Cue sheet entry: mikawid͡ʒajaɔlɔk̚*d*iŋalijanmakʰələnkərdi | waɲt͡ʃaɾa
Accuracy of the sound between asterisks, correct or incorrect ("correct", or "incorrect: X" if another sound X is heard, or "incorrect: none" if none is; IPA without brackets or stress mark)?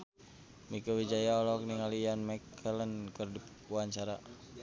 incorrect: n